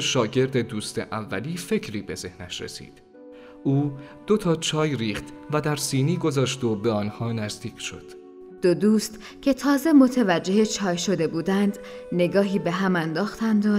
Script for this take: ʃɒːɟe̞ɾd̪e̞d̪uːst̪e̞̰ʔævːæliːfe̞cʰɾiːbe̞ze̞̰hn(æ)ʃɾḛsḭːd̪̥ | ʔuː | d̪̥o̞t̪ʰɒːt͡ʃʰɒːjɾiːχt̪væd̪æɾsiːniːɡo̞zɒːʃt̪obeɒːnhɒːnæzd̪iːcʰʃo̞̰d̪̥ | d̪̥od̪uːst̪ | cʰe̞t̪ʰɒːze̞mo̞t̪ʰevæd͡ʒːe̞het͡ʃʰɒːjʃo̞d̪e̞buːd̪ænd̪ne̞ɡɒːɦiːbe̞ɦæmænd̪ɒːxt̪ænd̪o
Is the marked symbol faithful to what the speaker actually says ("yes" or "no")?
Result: yes